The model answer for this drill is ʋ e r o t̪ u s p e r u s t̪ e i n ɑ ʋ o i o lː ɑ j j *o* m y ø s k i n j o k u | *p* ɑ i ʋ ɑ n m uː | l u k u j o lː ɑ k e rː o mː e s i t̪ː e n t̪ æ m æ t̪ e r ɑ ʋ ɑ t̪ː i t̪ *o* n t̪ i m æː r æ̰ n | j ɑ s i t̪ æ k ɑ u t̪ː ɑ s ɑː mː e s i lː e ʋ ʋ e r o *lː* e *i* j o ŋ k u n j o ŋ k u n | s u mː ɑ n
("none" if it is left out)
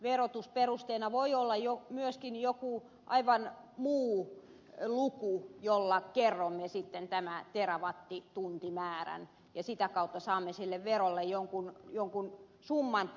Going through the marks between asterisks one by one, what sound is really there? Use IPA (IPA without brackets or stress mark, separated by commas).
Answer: o, ʔ, u, lː, j